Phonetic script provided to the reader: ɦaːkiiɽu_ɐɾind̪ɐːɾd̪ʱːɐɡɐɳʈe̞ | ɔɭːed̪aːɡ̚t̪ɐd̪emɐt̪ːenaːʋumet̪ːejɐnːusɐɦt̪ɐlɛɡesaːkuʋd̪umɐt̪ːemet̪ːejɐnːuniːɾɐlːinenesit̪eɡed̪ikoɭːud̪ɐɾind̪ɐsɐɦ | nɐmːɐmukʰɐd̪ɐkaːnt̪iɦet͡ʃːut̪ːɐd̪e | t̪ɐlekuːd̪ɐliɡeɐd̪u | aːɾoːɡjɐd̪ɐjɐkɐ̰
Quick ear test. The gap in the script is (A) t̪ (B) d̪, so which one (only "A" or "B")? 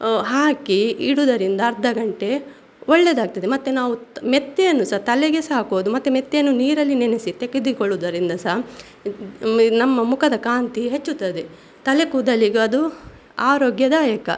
B